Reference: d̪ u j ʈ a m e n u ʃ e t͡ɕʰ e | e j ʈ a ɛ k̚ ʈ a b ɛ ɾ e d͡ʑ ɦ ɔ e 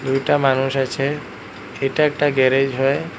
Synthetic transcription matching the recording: d̪ u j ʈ a m a n u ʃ a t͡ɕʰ e | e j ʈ a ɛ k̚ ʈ a ɡ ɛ ɾ e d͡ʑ ɦ ɔ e